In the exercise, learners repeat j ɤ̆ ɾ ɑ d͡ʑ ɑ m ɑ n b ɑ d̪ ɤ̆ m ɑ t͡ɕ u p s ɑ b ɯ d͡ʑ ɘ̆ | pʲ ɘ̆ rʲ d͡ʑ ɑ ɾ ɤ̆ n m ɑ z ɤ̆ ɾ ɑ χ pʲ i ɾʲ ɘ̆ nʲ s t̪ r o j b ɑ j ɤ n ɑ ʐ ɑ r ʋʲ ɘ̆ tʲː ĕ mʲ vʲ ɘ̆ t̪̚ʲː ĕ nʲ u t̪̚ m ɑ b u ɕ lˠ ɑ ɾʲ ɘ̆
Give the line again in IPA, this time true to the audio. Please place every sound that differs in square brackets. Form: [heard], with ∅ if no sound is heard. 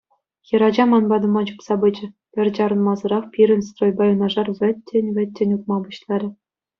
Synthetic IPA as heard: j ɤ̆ ɾ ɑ d͡ʑ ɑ m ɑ n b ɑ d̪ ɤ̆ m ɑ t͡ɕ u p s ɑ b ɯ d͡ʑ ɘ̆ | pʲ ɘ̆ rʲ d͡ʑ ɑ ɾ ɤ̆ n m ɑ z ɤ̆ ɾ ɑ χ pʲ i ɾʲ ɘ̆ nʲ s t̪ r o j b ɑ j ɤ n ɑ ʐ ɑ r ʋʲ ɘ̆ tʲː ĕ [nʲ] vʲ ɘ̆ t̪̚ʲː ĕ nʲ u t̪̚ m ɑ b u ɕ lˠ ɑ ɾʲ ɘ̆